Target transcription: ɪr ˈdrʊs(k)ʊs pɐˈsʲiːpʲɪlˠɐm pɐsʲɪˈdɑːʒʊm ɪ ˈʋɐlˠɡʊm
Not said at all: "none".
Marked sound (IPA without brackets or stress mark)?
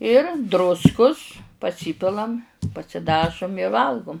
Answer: k